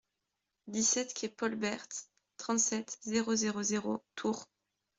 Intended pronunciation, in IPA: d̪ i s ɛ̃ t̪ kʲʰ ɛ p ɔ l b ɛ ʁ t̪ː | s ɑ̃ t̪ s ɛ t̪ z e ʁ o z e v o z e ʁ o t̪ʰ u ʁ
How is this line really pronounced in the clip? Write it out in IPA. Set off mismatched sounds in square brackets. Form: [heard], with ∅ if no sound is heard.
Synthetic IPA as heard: d̪ i s [ɛ] t̪ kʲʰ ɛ p ɔ l b ɛ ʁ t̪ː | [χ] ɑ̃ t̪ s ɛ t̪ z e ʁ o z e [ʁ] o z e ʁ o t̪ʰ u ʁ